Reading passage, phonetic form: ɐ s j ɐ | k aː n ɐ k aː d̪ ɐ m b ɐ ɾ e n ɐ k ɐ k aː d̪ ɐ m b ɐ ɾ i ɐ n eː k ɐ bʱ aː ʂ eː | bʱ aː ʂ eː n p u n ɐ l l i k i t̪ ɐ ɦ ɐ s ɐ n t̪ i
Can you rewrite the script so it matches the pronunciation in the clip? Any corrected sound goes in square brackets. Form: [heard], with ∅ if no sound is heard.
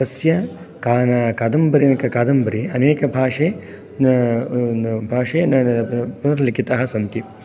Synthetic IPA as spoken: ɐ s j ɐ | k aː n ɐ k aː d̪ ɐ m b ɐ ɾ [i] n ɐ k ɐ k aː d̪ ɐ m b ɐ ɾ i ɐ n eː k ɐ bʱ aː ʂ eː | bʱ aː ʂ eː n p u n ɐ [ɾ] l i k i t̪ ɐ ɦ ɐ s ɐ n t̪ i

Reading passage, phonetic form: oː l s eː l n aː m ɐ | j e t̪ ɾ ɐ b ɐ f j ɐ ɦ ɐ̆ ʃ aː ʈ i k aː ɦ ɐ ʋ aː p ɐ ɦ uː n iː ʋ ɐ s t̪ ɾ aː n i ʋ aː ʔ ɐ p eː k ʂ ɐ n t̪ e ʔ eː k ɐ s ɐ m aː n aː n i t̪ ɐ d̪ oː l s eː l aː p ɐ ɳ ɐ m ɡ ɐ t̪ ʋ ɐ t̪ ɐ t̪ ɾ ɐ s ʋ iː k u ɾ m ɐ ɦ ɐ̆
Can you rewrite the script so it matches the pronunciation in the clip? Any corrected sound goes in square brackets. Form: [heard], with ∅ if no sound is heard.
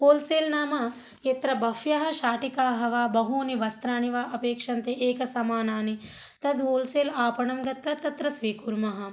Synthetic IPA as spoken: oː l s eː l n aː m ɐ | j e t̪ ɾ ɐ b ɐ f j ɐ ɦ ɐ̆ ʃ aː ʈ i k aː ɦ ɐ ʋ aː [b] ɐ ɦ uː n [i] ʋ ɐ s t̪ ɾ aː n i ʋ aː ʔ ɐ p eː k ʂ ɐ n t̪ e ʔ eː k ɐ s ɐ m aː n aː n i t̪ ɐ d̪ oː l s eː l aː p ɐ ɳ ɐ m ɡ ɐ t̪ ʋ ɐ t̪ ɐ t̪ ɾ ɐ s ʋ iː k u ɾ m ɐ ɦ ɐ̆

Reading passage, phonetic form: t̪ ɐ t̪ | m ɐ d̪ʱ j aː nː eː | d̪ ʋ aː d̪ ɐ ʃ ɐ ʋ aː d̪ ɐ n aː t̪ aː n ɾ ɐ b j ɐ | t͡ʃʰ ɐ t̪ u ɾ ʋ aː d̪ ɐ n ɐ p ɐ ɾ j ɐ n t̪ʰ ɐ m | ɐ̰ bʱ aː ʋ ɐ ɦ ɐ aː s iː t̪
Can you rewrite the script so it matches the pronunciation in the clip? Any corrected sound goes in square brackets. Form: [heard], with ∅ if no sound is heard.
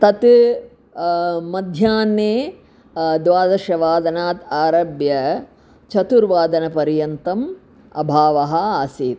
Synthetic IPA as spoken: t̪ ɐ t̪ | m ɐ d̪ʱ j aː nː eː | d̪ ʋ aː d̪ ɐ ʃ ɐ ʋ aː d̪ ɐ n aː t̪ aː [∅] ɾ ɐ b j ɐ | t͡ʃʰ ɐ t̪ u ɾ ʋ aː d̪ ɐ n ɐ p ɐ ɾ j ɐ n [t̪] ɐ m | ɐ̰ bʱ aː ʋ ɐ ɦ ɐ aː s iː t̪

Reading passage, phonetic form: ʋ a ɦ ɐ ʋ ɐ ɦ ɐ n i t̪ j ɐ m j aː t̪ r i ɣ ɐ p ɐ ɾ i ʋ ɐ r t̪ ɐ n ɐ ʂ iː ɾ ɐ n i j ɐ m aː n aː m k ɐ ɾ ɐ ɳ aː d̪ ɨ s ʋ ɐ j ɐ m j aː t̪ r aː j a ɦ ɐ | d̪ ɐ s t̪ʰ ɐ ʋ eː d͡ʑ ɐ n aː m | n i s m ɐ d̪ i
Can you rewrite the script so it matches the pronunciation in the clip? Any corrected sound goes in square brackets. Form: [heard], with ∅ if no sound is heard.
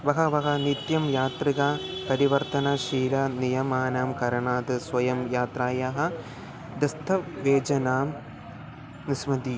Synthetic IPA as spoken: ʋ [ɐ] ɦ ɐ ʋ ɐ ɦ ɐ n i t̪ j ɐ m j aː t̪ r i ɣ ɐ p ɐ ɾ i ʋ ɐ r t̪ ɐ n ɐ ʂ iː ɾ ɐ n i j ɐ m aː n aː m k ɐ ɾ ɐ ɳ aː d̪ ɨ s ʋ ɐ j ɐ m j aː t̪ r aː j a ɦ ɐ | d̪ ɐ s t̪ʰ ɐ ʋ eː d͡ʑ ɐ n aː m | n i s m ɐ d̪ i

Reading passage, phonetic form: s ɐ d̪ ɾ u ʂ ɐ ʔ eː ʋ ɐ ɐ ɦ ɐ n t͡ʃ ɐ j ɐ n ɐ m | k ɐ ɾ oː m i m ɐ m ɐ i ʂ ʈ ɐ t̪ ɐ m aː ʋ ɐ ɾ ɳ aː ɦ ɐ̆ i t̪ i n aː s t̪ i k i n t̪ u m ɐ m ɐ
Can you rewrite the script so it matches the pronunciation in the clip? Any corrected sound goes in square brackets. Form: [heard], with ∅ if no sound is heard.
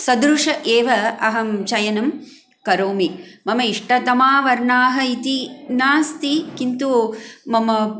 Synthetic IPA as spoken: s ɐ d̪ ɾ u ʂ ɐ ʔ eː ʋ ɐ ɐ ɦ ɐ [m] t͡ʃ ɐ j ɐ n ɐ m | k ɐ ɾ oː m i m ɐ m ɐ i ʂ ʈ ɐ t̪ ɐ m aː ʋ ɐ ɾ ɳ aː ɦ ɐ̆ i t̪ i n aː s t̪ i k i n t̪ u m ɐ m ɐ

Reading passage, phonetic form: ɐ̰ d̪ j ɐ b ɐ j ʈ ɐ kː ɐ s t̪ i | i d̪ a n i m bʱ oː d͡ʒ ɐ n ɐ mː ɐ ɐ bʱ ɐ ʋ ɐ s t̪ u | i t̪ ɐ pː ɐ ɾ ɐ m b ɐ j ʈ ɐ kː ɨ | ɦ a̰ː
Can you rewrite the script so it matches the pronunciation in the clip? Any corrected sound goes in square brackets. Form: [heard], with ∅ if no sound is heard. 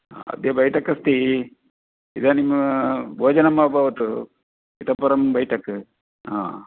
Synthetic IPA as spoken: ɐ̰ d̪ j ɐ b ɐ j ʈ ɐ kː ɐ s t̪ i | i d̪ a n i m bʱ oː d͡ʒ ɐ n ɐ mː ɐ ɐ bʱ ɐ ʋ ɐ [∅] t̪ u | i t̪ ɐ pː ɐ ɾ ɐ m b ɐ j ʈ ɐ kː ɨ | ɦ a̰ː

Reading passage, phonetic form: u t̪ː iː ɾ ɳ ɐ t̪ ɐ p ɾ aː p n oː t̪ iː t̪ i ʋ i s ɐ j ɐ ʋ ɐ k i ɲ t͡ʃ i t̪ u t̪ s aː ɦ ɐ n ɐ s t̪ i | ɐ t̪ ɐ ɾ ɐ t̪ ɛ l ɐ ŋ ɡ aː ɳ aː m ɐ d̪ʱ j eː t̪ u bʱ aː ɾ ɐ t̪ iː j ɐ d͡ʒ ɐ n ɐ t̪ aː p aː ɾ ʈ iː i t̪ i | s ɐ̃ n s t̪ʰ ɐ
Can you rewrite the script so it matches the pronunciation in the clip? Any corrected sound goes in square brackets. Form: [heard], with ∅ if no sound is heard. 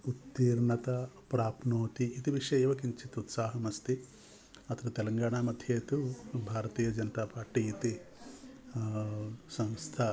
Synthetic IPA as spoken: u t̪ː iː ɾ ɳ ɐ t̪ ɐ p ɾ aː p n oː t̪ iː t̪ i ʋ i [ʂ] ɐ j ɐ ʋ ɐ k i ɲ t͡ʃ i t̪ u t̪ s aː ɦ ɐ [m] ɐ s t̪ i | ɐ t̪ ɐ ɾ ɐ t̪ ɛ l ɐ ŋ ɡ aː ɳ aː m ɐ d̪ʱ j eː t̪ u bʱ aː ɾ ɐ t̪ iː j ɐ d͡ʒ ɐ n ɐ t̪ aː p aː ɾ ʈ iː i t̪ i | s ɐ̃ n s t̪ʰ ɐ

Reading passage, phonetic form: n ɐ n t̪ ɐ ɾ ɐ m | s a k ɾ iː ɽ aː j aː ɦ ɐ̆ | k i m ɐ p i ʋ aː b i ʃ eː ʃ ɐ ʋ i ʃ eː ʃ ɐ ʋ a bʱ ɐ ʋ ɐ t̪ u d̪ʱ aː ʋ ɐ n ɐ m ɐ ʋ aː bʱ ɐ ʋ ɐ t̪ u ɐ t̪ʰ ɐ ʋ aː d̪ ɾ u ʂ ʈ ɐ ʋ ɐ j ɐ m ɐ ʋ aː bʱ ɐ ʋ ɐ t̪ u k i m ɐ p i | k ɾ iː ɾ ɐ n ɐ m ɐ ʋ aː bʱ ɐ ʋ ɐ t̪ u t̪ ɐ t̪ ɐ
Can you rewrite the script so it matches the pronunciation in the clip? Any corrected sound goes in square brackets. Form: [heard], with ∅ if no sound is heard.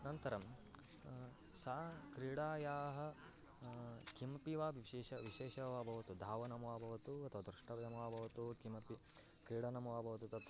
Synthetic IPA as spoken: n ɐ n t̪ ɐ ɾ ɐ m | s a k ɾ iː ɽ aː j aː ɦ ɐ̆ | k i m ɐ p i ʋ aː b i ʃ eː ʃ ɐ ʋ i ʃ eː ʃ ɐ ʋ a bʱ ɐ ʋ ɐ t̪ u d̪ʱ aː ʋ ɐ n ɐ m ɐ ʋ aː bʱ ɐ ʋ ɐ t̪ u ɐ t̪ʰ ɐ ʋ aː d̪ ɾ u ʂ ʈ ɐ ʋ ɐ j ɐ m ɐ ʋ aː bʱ ɐ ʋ ɐ t̪ u k i m ɐ p i | k ɾ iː [ɽ] ɐ n ɐ m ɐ ʋ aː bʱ ɐ ʋ ɐ t̪ u t̪ ɐ t̪ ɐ

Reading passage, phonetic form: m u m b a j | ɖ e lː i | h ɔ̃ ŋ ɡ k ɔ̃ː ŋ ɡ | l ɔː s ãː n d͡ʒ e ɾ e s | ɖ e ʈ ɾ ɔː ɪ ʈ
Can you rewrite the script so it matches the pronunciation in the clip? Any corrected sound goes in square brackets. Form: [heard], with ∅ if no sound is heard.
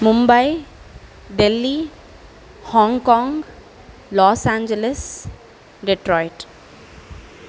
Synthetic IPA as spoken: m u m b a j | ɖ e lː i | h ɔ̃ ŋ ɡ k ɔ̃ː ŋ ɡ | l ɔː s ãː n d͡ʒ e [l] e s | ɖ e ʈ ɾ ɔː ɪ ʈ

